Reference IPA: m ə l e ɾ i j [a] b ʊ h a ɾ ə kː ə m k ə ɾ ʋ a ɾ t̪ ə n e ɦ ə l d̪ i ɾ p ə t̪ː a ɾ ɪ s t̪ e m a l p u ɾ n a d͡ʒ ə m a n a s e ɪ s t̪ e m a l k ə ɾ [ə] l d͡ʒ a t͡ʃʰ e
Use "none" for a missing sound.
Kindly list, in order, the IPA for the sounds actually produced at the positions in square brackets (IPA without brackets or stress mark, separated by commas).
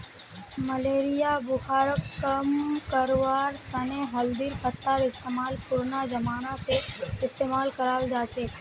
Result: a, a